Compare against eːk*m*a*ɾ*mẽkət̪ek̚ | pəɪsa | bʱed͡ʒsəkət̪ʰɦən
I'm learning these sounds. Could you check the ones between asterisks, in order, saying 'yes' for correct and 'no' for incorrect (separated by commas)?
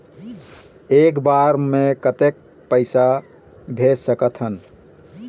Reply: no, yes